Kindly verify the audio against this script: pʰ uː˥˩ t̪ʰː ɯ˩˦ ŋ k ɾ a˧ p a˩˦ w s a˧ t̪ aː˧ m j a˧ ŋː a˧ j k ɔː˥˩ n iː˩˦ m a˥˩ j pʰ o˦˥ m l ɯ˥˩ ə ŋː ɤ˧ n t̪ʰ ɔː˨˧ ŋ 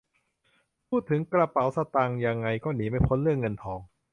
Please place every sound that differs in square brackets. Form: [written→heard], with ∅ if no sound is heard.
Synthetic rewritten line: pʰ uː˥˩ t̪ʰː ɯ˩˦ ŋ k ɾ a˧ p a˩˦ w s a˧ t̪ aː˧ [m→ŋ] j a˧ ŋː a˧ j k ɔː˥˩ n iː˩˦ m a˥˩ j pʰ o˦˥ [m→n] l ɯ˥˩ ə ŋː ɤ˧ n t̪ʰ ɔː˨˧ ŋ